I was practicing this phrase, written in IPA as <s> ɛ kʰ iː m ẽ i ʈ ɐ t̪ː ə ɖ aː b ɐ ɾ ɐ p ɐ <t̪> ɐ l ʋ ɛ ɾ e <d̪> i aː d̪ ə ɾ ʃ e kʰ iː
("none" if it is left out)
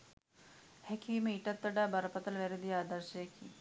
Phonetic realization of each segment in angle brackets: h, t̪, d̪

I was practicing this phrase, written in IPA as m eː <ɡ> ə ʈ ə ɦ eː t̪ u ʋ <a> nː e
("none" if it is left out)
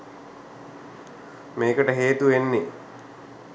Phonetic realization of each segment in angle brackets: k, e

